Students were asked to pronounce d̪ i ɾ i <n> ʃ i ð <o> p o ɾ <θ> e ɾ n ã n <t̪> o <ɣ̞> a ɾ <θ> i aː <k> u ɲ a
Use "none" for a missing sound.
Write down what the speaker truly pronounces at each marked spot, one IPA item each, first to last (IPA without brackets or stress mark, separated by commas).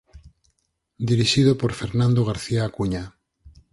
none, o, f, d̪, ɣ̞, θ, k